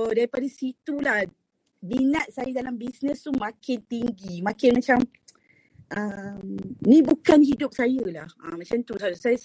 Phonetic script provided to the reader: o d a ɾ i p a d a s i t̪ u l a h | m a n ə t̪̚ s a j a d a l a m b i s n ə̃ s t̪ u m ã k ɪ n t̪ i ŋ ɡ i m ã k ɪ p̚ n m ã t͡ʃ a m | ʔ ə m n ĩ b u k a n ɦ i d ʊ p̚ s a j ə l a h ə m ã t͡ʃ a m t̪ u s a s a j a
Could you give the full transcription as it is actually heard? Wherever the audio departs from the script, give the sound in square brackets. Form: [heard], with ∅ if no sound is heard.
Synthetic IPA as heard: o d a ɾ i p a d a s i t̪ u l a h | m [i] n [a] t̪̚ s a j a d a l a m b i s n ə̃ s t̪ u m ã k ɪ n t̪ i ŋ ɡ i m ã k ɪ [∅] n m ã t͡ʃ a m | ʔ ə m n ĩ b u k a n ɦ i d ʊ p̚ s a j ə l a h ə m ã t͡ʃ a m t̪ u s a s a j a